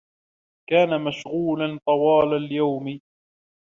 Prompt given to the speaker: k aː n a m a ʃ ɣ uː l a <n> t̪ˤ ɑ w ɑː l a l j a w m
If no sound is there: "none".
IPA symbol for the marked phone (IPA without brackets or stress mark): n